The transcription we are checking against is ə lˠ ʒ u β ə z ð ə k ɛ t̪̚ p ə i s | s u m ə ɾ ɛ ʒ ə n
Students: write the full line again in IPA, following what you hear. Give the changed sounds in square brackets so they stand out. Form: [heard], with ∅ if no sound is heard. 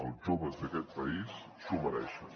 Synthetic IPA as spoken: ə lˠ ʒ [o] β ə z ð ə k ɛ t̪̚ p ə i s | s u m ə ɾ ɛ [ʃ] ə n